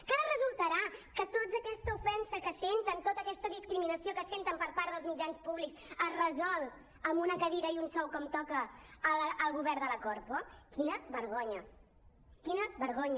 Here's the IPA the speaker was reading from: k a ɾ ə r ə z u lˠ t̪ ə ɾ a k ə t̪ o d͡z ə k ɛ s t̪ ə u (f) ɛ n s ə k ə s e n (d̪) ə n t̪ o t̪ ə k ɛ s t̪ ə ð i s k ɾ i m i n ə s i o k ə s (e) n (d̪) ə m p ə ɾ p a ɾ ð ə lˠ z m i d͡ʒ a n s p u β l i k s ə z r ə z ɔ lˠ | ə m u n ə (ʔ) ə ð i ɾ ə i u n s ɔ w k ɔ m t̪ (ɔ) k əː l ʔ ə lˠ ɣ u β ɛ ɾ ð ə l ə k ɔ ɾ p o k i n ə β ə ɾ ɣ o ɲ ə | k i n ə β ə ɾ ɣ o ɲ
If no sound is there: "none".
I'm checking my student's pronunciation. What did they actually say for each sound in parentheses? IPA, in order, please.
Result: f, t̪, e, t̪, k, ɔ

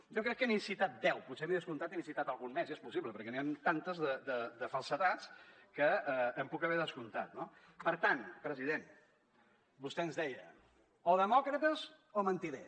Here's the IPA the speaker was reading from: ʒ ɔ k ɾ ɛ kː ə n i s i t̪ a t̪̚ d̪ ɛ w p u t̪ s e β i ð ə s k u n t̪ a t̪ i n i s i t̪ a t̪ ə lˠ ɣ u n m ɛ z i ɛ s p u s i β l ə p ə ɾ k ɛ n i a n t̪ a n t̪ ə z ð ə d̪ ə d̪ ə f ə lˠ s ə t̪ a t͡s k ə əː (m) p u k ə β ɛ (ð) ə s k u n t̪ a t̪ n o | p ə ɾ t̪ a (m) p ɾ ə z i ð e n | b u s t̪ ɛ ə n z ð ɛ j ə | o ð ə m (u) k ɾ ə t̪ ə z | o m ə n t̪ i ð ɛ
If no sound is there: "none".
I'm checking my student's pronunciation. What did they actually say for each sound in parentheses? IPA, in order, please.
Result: m, ð, n, ɔ

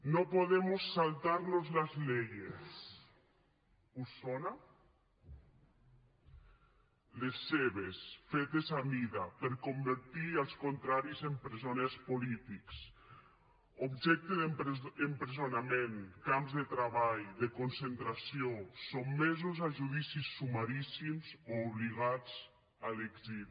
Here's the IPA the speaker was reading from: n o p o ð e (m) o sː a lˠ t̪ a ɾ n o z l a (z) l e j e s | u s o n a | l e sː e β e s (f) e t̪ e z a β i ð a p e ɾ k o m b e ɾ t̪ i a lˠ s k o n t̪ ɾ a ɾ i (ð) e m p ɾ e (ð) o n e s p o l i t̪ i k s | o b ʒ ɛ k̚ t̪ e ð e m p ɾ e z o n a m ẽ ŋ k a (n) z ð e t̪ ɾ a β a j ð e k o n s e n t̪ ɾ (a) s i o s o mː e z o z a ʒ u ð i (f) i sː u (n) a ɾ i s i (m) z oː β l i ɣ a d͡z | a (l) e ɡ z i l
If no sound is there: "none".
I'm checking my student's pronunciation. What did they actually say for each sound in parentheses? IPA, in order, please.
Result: m, z, f, z, z, m, a, s, m, m, l

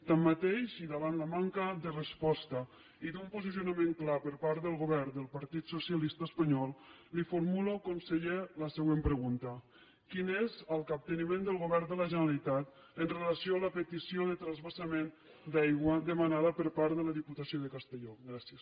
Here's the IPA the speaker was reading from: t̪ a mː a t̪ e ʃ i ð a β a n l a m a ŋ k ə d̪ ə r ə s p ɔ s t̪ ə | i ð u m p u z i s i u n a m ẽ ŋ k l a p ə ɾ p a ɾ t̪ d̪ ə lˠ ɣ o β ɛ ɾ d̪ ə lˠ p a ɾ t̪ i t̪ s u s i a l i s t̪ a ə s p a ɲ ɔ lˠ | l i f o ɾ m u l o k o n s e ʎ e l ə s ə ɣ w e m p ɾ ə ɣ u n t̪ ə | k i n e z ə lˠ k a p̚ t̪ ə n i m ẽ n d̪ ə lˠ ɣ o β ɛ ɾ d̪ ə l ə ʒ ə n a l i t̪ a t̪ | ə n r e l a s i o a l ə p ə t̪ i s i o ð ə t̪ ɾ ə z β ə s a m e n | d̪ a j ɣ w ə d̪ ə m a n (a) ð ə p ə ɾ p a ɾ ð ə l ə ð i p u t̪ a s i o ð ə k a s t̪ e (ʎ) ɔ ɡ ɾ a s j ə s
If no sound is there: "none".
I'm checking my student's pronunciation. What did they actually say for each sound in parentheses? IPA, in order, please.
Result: a, ʎ

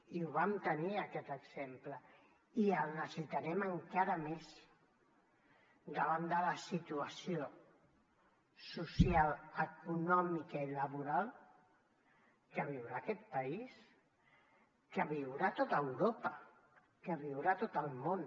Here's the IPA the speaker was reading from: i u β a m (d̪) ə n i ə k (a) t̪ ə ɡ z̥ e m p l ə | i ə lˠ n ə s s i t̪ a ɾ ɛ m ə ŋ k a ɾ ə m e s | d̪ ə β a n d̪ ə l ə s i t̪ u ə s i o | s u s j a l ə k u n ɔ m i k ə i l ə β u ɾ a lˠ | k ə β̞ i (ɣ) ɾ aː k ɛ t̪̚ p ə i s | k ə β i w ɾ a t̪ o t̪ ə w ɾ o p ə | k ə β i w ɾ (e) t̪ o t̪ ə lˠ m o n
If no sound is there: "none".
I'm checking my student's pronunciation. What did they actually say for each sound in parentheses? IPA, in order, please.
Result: t̪, ɛ, w, a

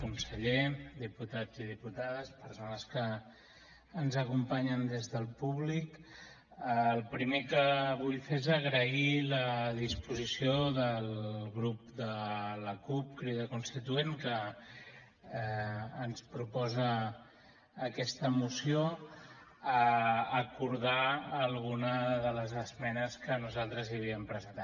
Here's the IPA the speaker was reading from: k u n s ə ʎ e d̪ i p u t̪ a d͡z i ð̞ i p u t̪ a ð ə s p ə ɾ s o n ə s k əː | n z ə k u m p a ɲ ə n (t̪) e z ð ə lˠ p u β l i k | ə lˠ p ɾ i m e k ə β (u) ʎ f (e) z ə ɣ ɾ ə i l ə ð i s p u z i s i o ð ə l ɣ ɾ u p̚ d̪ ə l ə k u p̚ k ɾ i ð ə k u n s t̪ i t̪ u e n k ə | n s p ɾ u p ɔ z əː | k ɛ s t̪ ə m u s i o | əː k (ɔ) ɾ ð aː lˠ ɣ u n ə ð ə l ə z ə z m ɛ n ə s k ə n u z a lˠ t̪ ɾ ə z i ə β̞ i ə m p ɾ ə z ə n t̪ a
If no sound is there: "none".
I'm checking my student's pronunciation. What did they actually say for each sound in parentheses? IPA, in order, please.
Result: d̪, u, e, u

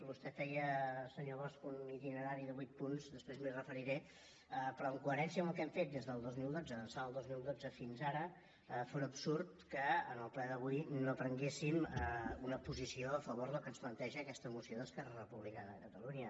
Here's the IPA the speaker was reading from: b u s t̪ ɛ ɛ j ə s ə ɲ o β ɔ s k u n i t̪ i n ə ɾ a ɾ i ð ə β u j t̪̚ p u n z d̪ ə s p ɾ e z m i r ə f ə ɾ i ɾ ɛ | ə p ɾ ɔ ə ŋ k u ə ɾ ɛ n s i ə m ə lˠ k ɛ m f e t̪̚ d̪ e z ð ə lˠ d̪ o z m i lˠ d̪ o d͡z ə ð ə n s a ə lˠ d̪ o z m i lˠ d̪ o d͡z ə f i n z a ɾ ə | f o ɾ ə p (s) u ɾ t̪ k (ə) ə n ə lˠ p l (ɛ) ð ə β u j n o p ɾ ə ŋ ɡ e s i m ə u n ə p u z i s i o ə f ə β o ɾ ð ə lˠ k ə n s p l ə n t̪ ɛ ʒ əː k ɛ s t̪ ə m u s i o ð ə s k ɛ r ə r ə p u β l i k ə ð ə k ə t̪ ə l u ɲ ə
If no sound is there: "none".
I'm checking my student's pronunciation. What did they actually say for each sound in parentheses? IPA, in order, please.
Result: s, ə, ɛ

